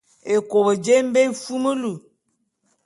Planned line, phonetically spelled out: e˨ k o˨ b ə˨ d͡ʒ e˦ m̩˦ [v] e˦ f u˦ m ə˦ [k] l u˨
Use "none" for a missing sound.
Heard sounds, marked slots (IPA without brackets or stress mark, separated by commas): b, none